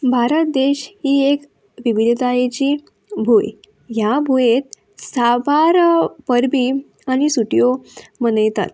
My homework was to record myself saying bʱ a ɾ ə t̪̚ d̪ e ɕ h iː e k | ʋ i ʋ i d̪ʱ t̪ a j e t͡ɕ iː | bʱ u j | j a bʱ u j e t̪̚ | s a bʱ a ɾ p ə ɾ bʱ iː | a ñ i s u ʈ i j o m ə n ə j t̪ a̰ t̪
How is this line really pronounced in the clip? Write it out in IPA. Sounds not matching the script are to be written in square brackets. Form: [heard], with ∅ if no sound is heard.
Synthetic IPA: bʱ a ɾ ə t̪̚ d̪ e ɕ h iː e k | ʋ i ʋ i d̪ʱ t̪ a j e t͡ɕ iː | bʱ u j | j a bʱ u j e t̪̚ | s a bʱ a ɾ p ə ɾ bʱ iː | a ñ i s u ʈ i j o m ə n ə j t̪ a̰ t̪